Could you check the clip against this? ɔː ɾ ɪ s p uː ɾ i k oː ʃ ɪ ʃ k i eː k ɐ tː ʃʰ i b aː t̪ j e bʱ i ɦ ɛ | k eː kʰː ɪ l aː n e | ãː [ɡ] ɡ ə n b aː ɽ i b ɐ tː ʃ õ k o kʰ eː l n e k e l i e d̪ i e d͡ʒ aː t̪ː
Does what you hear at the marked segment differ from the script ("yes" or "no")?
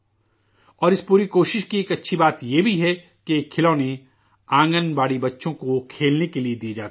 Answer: yes